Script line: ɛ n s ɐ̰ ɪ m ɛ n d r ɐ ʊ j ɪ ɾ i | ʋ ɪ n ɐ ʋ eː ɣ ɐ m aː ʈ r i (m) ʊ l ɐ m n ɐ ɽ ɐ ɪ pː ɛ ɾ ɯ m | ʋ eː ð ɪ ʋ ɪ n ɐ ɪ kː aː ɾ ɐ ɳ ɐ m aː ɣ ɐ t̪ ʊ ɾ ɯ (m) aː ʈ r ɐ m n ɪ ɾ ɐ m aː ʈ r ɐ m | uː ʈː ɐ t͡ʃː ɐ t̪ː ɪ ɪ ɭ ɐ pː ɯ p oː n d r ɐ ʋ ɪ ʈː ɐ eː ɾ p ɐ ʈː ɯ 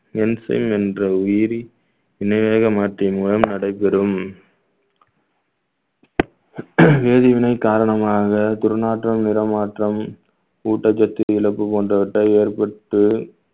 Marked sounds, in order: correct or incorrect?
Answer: correct, incorrect

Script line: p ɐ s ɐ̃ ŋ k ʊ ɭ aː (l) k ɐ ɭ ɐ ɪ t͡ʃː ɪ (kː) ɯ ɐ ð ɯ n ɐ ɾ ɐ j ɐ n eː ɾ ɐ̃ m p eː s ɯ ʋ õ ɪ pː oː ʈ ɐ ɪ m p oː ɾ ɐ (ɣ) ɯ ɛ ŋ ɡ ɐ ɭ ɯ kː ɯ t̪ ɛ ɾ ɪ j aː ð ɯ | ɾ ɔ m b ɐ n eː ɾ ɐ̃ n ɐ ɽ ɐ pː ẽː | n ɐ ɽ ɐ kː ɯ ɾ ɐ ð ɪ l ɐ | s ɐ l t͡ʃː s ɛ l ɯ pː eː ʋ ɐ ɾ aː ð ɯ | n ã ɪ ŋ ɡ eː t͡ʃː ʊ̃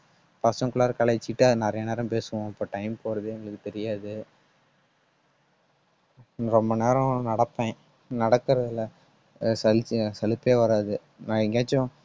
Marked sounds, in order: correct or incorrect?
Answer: incorrect, incorrect, incorrect

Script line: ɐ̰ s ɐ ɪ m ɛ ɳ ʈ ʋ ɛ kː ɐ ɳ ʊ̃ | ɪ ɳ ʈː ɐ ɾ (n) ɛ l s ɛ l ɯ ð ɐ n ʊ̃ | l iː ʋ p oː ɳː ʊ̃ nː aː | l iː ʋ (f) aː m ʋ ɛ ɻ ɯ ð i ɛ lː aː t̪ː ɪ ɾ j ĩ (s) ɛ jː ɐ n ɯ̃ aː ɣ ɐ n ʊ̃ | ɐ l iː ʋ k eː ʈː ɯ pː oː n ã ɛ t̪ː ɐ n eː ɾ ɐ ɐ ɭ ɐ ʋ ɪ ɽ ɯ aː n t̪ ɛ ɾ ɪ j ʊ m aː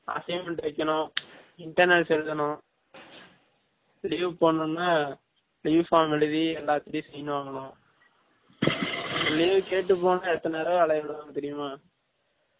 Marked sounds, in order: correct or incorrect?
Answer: correct, correct, correct

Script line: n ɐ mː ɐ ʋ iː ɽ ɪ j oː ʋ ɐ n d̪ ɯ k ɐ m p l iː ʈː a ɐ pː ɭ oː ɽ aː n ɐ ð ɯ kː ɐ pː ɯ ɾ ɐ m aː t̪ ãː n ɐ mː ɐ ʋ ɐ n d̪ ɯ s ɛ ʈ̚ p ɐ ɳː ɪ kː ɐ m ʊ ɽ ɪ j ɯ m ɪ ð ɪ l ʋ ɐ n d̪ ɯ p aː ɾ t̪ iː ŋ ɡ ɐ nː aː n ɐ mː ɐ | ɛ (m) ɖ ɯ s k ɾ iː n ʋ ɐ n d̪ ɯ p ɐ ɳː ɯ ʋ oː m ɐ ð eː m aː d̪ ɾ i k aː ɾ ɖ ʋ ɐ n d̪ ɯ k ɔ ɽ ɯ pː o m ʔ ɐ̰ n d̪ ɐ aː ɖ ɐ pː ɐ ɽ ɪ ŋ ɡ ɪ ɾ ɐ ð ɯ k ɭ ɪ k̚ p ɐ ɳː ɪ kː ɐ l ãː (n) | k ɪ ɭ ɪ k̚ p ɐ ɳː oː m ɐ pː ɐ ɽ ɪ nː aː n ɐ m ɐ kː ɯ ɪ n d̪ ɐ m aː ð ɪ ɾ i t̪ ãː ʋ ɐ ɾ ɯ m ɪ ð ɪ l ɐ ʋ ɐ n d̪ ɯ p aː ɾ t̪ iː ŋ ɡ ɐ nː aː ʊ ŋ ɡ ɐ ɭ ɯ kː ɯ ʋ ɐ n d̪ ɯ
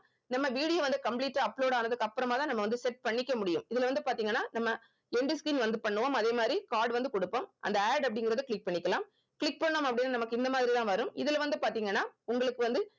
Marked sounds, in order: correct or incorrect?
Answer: incorrect, incorrect

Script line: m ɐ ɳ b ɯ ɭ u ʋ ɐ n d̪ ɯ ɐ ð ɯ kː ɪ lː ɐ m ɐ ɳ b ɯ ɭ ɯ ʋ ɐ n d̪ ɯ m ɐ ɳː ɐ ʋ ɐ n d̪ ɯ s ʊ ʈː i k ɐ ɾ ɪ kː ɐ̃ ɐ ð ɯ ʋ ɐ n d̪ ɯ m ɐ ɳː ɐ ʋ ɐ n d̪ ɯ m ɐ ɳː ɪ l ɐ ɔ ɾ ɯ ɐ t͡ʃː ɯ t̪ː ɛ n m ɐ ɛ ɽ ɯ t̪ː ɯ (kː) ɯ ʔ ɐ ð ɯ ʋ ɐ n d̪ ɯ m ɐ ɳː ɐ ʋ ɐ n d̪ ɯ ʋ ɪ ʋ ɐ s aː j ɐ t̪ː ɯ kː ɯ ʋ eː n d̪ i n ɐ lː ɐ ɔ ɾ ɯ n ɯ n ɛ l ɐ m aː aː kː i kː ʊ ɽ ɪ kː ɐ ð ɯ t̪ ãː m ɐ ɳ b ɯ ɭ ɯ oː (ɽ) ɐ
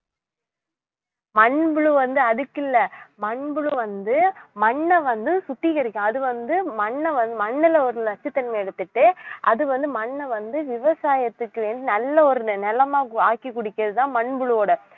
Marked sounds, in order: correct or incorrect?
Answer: incorrect, correct

